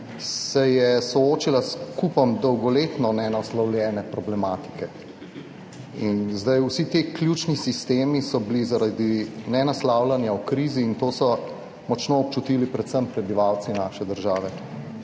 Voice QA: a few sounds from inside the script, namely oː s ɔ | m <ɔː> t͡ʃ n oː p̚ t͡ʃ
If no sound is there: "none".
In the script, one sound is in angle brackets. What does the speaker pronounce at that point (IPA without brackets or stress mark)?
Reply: ɔ